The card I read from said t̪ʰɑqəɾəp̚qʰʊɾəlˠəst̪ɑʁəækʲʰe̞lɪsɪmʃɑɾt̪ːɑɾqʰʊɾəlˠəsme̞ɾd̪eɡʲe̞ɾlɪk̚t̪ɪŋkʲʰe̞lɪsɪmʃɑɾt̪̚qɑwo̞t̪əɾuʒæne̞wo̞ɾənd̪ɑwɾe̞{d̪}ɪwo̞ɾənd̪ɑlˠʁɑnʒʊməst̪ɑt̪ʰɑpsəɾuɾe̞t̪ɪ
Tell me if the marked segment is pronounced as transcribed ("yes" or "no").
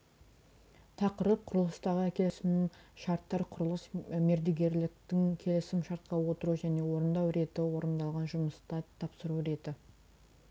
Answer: no